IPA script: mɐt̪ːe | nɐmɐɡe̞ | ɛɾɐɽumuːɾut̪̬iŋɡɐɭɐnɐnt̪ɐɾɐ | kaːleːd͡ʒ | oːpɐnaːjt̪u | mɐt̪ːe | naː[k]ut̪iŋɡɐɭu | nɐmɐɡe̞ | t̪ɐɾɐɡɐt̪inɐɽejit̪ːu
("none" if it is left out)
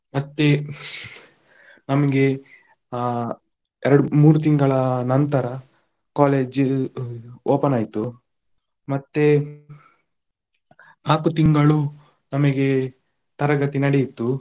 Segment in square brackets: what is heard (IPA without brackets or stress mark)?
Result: k